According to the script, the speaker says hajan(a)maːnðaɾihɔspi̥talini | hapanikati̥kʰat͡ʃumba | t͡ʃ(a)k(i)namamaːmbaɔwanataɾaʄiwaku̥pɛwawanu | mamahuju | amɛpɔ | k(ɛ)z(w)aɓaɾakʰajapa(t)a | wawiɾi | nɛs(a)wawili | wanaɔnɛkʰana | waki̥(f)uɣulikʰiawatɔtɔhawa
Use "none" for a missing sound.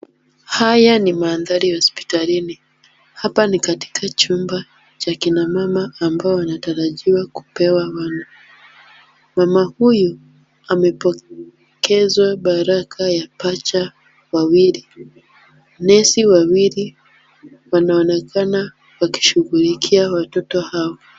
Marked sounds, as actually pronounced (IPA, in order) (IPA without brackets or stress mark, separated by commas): i, a, i, ɛ, w, t͡ʃ, i, ʃ